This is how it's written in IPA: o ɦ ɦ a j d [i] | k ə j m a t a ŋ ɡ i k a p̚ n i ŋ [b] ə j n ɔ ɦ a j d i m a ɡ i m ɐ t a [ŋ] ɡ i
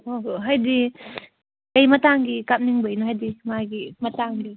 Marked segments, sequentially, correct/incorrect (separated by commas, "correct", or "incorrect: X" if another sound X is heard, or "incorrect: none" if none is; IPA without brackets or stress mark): correct, correct, correct